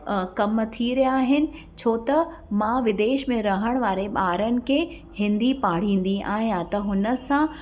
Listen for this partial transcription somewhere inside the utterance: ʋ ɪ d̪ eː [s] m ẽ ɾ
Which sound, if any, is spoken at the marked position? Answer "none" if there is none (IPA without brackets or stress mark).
ʃ